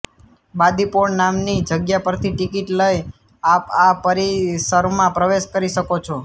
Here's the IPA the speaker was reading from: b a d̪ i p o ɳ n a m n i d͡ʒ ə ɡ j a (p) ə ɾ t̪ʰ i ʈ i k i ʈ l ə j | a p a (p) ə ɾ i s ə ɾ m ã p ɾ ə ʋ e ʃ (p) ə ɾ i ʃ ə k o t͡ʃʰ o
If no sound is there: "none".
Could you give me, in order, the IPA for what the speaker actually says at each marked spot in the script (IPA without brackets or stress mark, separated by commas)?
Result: p, p, k